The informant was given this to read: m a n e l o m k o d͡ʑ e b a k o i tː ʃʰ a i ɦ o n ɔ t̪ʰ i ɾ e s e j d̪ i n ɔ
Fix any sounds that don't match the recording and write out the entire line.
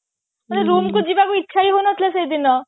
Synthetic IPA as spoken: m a n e ɾ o m k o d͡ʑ i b a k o i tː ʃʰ a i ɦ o n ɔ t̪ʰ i l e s e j d̪ i n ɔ